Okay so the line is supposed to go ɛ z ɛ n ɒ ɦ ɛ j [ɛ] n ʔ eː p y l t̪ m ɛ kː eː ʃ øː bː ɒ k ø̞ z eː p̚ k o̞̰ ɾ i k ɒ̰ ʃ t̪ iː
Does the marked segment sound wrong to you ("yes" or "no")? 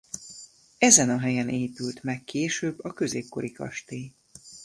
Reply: no